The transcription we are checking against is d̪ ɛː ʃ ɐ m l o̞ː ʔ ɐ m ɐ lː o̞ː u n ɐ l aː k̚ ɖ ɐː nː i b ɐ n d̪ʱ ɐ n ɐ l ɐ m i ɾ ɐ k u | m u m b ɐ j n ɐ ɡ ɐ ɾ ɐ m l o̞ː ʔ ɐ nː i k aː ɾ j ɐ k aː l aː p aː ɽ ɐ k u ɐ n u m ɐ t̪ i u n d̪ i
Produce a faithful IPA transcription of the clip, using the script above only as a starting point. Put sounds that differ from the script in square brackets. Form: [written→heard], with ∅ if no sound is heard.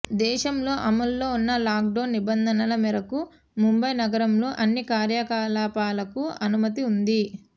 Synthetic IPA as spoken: d̪ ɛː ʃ ɐ m l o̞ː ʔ ɐ m ɐ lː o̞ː u [n→nː] ɐ l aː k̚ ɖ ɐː nː i b ɐ n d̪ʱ ɐ n ɐ l ɐ m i ɾ ɐ k u | m u m b ɐ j n ɐ ɡ ɐ ɾ ɐ m l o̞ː ʔ ɐ nː i k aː ɾ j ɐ k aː l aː p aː [ɽ→l] ɐ k u ɐ n u m ɐ t̪ i u n d̪ i

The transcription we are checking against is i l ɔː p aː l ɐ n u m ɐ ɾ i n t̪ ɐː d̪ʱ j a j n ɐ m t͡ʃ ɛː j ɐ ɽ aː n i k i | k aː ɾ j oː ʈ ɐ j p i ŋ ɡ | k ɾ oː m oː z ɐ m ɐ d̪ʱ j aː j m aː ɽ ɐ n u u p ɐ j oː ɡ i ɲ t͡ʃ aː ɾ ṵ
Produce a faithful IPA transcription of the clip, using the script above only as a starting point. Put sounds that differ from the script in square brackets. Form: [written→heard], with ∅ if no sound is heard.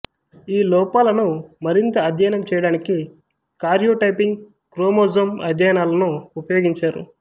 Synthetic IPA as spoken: [i→iː] l ɔː p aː l ɐ n u m ɐ ɾ i n t̪ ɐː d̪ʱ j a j n ɐ m t͡ʃ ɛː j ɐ ɽ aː n i k i | k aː ɾ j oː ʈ ɐ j p i ŋ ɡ | k ɾ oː m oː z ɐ m ɐ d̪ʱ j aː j [m→n] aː [ɽ→l] ɐ n u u p ɐ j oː ɡ i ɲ t͡ʃ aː ɾ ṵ

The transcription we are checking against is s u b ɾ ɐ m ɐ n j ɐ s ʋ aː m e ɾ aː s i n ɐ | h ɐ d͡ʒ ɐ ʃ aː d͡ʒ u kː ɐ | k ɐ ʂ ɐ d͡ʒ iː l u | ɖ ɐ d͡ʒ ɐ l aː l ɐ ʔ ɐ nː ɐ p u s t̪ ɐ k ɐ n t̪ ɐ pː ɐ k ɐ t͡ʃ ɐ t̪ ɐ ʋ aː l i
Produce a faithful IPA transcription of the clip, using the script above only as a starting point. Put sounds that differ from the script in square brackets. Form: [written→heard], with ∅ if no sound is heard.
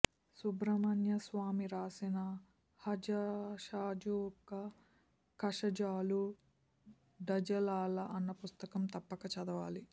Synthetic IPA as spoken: s u b ɾ ɐ m ɐ n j ɐ s ʋ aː m [e→i] ɾ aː s i n ɐ | h ɐ d͡ʒ ɐ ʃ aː d͡ʒ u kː ɐ | k ɐ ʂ ɐ d͡ʒ [iː→aː] l u | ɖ ɐ d͡ʒ ɐ l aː l ɐ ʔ ɐ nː ɐ p u s t̪ ɐ k ɐ [n→m] t̪ ɐ pː ɐ k ɐ t͡ʃ ɐ [t̪→d̪] ɐ ʋ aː l i

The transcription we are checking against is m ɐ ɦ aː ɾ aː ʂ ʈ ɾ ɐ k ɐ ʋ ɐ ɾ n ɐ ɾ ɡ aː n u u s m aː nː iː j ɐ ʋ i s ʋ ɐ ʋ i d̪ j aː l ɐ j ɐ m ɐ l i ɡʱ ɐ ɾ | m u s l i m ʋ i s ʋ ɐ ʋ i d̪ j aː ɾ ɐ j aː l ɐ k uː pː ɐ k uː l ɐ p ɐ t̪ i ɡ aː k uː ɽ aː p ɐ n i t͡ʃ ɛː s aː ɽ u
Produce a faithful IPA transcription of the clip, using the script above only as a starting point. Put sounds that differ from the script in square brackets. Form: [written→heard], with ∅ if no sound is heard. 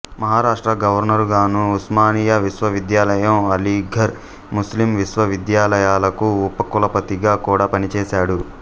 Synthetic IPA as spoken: m ɐ ɦ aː ɾ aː ʂ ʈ ɾ ɐ [k→ɡ] ɐ ʋ ɐ ɾ n ɐ ɾ ɡ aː n u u s m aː [nː→n] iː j ɐ ʋ i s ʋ ɐ ʋ i d̪ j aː l ɐ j ɐ m ɐ l i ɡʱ ɐ ɾ | m u s l i m ʋ i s ʋ ɐ ʋ i d̪ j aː [ɾ→l] ɐ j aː l ɐ k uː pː ɐ k [uː→u] l ɐ p ɐ t̪ i ɡ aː k uː ɽ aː p ɐ n i t͡ʃ ɛː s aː ɽ u

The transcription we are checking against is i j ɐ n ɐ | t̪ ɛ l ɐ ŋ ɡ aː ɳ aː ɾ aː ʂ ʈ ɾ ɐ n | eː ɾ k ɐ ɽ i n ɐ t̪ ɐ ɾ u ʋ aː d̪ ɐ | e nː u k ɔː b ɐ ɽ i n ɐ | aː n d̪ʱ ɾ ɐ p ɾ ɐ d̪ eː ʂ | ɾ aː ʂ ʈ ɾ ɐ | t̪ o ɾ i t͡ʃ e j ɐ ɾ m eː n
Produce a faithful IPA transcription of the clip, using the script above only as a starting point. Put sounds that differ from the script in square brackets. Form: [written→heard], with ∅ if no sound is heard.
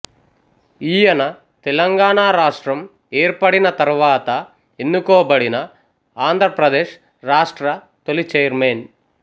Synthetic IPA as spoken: i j ɐ n ɐ | t̪ ɛ l ɐ ŋ ɡ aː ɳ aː ɾ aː ʂ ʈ ɾ ɐ [n→m] | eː ɾ [k→p] ɐ ɽ i n ɐ t̪ ɐ ɾ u ʋ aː [d̪→t̪] ɐ | e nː u k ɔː b ɐ ɽ i n ɐ | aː n d̪ʱ ɾ ɐ p ɾ ɐ d̪ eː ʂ | ɾ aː ʂ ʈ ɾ ɐ | t̪ o [ɾ→l] i t͡ʃ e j ɐ ɾ m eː n

